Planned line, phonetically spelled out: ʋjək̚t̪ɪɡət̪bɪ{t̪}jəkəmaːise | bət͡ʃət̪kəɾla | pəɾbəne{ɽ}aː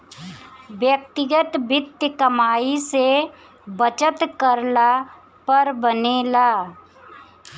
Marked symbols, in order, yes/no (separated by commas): yes, no